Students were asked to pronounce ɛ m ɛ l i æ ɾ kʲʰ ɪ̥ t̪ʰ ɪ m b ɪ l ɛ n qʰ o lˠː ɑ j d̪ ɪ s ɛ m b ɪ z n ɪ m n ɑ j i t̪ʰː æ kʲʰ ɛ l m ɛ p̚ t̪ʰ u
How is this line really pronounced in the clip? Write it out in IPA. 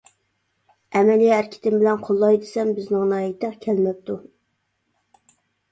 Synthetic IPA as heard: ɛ m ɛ l i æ ɾ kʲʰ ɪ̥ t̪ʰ ɪ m b ɪ l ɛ n qʰ o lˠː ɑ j d̪ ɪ s ɛ m b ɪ z n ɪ ŋ n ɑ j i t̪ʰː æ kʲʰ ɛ l m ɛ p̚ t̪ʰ u